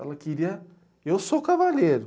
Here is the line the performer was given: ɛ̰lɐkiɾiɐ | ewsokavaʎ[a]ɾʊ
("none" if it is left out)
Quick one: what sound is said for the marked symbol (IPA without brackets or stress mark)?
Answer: e